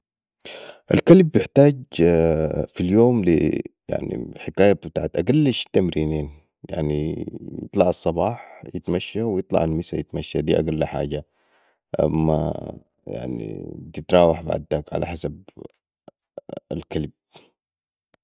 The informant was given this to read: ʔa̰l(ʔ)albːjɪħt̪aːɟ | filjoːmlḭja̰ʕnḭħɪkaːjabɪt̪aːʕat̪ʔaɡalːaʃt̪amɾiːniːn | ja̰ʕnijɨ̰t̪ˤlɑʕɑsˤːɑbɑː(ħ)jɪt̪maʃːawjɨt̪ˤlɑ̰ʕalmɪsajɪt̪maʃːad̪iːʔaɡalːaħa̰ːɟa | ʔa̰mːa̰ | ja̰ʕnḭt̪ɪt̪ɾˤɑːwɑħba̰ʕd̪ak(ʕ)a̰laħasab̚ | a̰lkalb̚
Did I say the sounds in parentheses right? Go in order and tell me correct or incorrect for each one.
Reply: incorrect, correct, correct

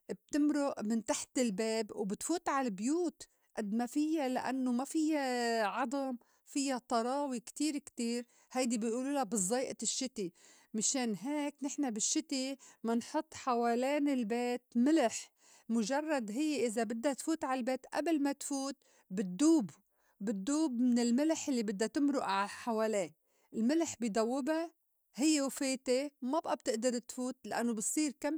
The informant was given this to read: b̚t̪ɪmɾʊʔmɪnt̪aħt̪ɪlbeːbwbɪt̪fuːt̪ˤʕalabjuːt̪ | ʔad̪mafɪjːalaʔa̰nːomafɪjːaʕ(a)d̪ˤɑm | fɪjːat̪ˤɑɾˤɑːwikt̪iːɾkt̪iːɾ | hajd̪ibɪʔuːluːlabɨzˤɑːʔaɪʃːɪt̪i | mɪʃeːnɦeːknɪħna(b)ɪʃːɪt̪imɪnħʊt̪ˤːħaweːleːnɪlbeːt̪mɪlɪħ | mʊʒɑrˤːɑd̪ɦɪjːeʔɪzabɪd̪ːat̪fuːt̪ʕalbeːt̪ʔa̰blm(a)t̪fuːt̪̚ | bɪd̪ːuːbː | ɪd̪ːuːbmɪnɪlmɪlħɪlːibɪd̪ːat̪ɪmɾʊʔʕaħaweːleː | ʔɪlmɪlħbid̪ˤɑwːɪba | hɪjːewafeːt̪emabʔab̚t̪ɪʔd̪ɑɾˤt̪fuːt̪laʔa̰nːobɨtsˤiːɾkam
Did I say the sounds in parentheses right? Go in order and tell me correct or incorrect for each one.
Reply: incorrect, correct, correct

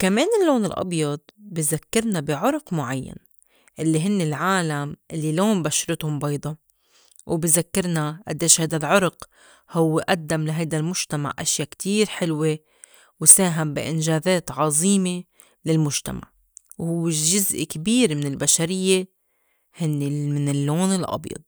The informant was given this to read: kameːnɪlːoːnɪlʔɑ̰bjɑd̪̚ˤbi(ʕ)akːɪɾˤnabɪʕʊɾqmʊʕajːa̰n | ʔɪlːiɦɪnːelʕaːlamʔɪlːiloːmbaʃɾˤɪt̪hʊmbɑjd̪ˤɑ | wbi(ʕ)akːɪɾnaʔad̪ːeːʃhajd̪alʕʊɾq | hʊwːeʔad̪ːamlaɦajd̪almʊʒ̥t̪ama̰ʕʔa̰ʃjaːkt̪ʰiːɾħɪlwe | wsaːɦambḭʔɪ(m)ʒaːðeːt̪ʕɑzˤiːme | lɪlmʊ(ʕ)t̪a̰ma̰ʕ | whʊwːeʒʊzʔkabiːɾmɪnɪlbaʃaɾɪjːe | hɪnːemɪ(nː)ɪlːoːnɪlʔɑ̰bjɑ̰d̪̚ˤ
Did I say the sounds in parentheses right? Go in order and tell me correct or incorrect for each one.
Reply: incorrect, incorrect, incorrect, incorrect, incorrect

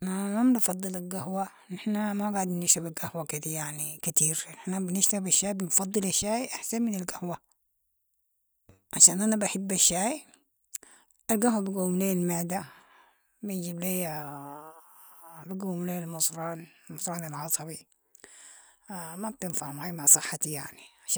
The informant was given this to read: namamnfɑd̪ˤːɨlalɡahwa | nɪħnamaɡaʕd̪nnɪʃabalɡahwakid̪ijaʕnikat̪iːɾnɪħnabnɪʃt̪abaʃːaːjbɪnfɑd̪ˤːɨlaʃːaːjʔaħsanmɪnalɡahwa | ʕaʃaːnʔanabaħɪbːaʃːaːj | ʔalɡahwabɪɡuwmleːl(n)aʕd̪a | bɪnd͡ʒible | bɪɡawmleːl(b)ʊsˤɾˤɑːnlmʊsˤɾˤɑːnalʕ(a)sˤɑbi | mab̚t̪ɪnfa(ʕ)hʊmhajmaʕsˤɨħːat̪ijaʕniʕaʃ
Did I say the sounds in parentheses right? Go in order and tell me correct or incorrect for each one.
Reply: incorrect, incorrect, incorrect, correct

